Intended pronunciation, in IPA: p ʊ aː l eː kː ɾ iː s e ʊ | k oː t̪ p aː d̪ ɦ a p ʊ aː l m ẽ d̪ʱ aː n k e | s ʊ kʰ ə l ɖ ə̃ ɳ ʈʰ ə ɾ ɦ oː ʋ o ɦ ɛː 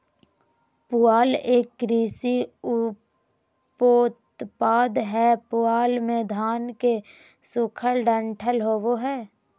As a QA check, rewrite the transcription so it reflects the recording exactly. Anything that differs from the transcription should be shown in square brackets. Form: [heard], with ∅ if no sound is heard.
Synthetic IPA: p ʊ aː l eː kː ɾ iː s [i] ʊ | [p] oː t̪ p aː d̪ ɦ [ɛ] p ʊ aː l m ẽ d̪ʱ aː n k e | s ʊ kʰ ə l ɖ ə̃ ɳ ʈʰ ə [l] ɦ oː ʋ o ɦ ɛː

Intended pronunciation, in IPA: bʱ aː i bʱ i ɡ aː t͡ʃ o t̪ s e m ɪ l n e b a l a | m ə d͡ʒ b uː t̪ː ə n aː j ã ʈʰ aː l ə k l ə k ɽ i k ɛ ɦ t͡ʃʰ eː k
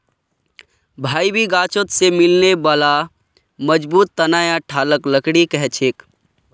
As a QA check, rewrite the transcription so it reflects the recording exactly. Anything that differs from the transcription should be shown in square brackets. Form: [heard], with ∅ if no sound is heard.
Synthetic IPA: bʱ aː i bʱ i ɡ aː t͡ʃ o t̪ s e m ɪ l n e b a l a | m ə d͡ʒ b uː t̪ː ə n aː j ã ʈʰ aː l ə k l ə k ɽ i k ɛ ɦ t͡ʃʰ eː k

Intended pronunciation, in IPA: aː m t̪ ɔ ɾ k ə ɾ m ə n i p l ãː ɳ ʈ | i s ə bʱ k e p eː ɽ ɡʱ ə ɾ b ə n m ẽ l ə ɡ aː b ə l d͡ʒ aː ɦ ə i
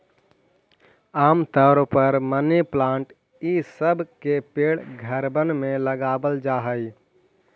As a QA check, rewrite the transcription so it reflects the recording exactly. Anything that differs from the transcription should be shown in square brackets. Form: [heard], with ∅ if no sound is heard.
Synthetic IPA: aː m t̪ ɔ ɾ [p] ə ɾ m ə n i p l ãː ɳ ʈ | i s ə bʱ k e p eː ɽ ɡʱ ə ɾ b ə n m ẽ l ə ɡ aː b ə l d͡ʒ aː ɦ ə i

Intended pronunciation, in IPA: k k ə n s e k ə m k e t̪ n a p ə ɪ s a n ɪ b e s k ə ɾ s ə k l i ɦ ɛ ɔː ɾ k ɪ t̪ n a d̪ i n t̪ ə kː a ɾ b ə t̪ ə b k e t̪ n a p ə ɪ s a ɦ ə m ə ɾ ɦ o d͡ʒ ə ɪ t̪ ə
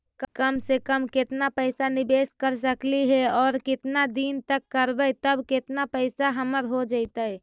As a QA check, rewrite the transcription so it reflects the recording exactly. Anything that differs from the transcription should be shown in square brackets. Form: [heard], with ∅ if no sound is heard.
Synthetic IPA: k k ə [m] s e k ə m k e t̪ n a p ə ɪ s a n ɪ b e s k ə ɾ s ə k l i ɦ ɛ ɔː ɾ k ɪ t̪ n a d̪ i n t̪ ə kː [ə] ɾ b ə t̪ ə b k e t̪ n a p ə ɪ s a ɦ ə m ə ɾ ɦ o d͡ʒ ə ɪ t̪ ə

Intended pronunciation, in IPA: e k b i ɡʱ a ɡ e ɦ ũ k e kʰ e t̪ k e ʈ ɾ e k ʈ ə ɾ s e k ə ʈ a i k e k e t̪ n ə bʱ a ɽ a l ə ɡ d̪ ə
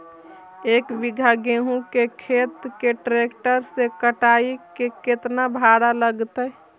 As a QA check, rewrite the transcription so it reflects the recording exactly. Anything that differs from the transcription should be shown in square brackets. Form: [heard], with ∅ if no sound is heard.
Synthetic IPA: e k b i ɡʱ a ɡ e ɦ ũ k e kʰ e t̪ k e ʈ ɾ e k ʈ ə ɾ s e k ə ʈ a i k e k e t̪ n [a] bʱ a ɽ a l ə ɡ [t̪] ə

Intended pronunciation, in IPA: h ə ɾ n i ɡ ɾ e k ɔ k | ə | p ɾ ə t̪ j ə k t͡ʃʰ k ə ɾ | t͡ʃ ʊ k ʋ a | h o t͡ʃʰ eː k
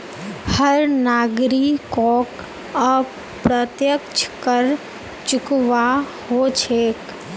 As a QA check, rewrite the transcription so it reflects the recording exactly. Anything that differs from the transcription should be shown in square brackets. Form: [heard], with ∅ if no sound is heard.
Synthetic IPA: h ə ɾ n [a] ɡ ɾ [i] k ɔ k | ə | p ɾ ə t̪ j ə k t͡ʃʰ k ə ɾ | t͡ʃ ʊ k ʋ a | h o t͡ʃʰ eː k

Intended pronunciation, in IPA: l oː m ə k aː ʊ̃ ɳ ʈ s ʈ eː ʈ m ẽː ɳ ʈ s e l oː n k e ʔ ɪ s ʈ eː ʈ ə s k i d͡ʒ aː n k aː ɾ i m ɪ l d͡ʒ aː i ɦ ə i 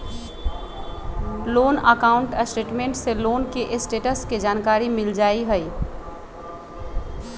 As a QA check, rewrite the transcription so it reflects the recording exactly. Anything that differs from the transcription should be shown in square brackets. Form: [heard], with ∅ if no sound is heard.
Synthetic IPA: l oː [n] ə k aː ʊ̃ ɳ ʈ s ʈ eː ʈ m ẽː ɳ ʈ s e l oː n k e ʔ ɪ s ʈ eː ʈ ə s k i d͡ʒ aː n k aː ɾ i m ɪ l d͡ʒ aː i ɦ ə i

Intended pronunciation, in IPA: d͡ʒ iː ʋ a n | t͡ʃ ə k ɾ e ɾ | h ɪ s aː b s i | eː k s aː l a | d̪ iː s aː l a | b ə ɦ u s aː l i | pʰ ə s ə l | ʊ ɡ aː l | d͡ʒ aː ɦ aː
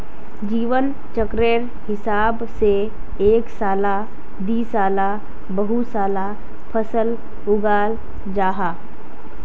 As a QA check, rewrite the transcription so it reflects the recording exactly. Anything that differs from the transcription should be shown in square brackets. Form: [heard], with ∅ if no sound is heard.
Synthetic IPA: d͡ʒ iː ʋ [ə] n | t͡ʃ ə k ɾ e ɾ | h ɪ s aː b s [e] | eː k s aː l a | d̪ iː s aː l a | b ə ɦ u s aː l [a] | pʰ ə s ə l | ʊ ɡ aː l | d͡ʒ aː ɦ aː

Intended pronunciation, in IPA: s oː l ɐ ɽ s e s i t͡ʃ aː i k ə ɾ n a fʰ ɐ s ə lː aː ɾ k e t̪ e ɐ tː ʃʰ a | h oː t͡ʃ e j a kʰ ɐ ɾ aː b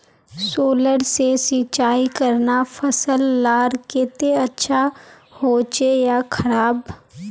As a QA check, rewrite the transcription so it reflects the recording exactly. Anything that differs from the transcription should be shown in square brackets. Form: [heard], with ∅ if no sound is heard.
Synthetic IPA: s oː l [ə] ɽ s e s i t͡ʃ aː i k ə ɾ n a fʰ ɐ s ə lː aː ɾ k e t̪ e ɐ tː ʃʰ a | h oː t͡ʃ e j a kʰ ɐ ɾ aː b

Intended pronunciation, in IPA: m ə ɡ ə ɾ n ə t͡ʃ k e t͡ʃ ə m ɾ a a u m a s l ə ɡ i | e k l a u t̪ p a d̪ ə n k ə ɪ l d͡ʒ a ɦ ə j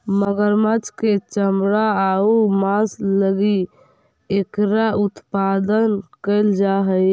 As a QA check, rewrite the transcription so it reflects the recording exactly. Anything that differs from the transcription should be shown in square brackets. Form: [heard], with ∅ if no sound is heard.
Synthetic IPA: m ə ɡ ə ɾ [m] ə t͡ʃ k e t͡ʃ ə m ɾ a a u m a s l ə ɡ i | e k [ɾ] a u t̪ p a d̪ ə n k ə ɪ l d͡ʒ a ɦ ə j

